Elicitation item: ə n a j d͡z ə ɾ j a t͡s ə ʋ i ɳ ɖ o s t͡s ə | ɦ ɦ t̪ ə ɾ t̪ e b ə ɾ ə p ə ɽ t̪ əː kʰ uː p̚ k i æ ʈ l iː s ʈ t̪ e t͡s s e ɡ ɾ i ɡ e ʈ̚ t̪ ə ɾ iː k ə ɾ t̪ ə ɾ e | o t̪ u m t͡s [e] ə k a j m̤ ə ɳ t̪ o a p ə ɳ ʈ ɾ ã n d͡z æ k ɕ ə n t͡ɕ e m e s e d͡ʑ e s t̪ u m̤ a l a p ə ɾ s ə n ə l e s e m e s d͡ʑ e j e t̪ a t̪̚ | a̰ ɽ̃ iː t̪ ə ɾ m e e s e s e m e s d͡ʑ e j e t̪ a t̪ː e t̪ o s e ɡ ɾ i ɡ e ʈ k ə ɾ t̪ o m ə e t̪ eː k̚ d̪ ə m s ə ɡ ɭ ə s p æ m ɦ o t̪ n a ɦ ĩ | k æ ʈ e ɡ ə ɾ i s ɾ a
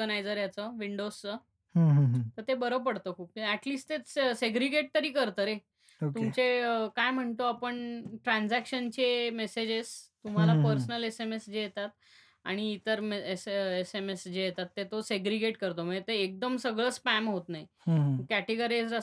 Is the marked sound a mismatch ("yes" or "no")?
no